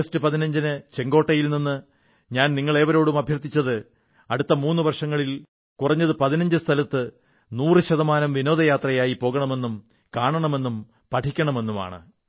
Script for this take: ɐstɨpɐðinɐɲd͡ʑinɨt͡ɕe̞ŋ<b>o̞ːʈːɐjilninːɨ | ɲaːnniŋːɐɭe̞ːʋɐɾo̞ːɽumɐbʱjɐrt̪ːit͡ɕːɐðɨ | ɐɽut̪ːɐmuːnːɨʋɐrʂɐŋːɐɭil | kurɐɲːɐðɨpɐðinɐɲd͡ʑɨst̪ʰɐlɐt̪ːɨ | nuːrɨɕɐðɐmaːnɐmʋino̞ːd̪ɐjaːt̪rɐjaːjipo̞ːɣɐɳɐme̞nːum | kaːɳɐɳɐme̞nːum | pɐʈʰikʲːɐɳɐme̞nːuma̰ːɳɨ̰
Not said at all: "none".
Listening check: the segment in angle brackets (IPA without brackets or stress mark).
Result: ɡ